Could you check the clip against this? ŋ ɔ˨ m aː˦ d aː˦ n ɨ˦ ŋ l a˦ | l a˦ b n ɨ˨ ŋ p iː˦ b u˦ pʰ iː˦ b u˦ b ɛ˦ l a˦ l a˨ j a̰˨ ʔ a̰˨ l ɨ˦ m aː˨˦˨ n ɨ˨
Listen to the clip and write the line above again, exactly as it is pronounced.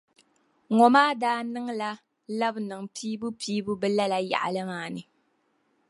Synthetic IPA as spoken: ŋ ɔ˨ m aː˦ d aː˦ n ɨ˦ ŋ l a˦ | l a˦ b n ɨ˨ ŋ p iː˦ b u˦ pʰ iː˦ b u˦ b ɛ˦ l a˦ l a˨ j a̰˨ ʔ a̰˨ l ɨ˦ m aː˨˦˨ n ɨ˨